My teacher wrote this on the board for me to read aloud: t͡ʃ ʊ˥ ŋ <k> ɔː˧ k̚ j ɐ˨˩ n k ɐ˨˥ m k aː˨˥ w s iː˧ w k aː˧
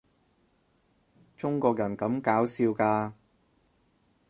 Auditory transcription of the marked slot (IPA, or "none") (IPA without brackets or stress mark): k